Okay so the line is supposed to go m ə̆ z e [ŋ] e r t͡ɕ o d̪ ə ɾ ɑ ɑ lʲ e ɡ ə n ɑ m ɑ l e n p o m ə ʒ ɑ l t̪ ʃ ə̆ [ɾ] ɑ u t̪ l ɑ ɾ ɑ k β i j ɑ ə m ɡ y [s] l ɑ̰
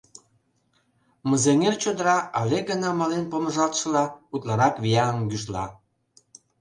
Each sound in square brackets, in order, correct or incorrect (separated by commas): correct, incorrect, incorrect